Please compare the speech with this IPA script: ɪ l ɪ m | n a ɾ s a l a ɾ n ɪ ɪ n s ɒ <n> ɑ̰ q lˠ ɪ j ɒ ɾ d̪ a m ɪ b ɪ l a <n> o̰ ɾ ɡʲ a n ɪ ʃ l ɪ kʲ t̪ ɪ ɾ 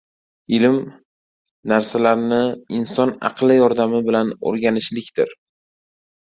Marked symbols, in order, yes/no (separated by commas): yes, yes